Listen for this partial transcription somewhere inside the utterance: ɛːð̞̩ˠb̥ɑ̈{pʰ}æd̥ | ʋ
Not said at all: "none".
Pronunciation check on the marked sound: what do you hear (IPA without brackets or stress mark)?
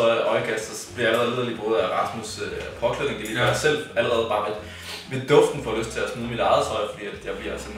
none